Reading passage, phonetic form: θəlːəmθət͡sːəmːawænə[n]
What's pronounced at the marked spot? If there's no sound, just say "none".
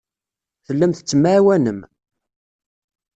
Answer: m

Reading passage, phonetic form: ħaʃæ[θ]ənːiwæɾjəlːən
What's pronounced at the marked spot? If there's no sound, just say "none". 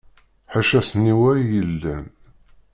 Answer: s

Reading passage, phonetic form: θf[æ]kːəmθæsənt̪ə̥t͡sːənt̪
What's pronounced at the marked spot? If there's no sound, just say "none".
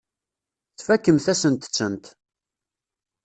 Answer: æ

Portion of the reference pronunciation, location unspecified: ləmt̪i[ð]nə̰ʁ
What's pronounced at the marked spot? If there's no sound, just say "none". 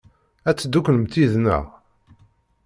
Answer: ð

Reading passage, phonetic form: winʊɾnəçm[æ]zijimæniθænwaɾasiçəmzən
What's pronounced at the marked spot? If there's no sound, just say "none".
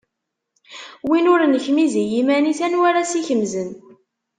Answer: i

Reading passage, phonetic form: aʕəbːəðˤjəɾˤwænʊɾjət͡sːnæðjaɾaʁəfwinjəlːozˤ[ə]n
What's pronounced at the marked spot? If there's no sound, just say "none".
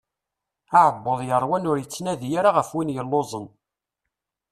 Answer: ə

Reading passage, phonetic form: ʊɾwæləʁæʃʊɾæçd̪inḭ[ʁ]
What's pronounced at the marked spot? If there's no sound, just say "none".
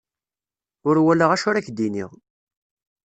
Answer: ʁ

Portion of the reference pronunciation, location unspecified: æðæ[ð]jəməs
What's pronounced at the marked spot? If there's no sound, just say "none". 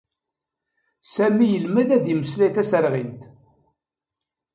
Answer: ð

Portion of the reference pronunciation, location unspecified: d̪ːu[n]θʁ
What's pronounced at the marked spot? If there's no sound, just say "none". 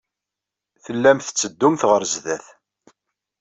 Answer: m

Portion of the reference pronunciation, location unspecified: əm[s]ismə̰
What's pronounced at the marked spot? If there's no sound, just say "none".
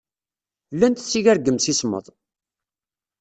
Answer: s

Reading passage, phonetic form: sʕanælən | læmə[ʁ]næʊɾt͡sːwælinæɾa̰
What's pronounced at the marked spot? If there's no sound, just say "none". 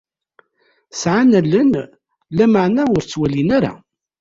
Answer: ʕ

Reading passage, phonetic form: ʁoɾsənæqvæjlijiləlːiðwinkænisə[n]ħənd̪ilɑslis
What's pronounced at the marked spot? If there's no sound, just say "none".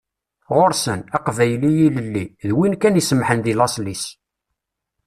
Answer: m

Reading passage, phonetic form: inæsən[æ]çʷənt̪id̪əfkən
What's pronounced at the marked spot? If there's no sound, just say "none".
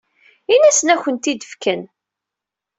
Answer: æ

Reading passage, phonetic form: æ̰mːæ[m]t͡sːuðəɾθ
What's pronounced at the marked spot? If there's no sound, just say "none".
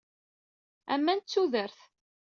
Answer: n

